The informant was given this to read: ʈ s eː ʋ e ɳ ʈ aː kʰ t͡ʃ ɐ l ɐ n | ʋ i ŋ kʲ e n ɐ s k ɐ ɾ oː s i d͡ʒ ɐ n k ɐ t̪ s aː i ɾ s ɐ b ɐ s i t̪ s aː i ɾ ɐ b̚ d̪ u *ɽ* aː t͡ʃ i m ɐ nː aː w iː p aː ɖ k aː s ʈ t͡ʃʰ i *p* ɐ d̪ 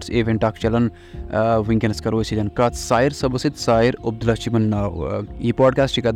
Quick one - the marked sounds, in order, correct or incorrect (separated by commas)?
incorrect, incorrect